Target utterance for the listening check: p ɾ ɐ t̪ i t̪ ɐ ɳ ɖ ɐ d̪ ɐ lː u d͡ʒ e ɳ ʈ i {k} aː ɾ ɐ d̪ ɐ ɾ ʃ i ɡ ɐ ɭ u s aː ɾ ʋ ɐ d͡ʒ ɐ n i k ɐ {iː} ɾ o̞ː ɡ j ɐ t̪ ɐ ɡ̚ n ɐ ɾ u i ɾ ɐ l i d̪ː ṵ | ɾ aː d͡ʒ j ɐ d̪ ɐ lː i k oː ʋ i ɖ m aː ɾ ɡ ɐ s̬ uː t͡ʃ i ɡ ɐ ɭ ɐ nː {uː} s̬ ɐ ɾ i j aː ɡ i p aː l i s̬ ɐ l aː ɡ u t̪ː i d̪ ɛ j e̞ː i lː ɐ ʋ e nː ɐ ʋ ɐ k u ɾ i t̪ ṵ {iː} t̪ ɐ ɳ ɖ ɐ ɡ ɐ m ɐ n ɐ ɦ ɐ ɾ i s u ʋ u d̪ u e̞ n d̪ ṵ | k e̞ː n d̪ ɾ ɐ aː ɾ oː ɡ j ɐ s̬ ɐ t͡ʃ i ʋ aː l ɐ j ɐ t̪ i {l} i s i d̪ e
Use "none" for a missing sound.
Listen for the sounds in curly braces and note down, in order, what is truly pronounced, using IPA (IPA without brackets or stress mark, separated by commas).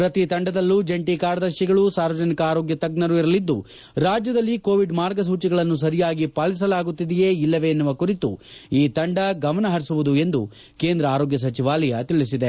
k, aː, u, iː, ɭ